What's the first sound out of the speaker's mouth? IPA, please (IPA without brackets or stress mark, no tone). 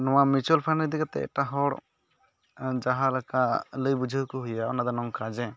n